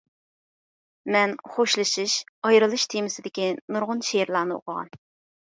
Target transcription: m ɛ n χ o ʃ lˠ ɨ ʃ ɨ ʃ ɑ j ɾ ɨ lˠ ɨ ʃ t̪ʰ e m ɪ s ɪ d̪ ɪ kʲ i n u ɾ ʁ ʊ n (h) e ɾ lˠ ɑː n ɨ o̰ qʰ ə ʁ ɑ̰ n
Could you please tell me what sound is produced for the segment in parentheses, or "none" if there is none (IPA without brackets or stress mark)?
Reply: ʃ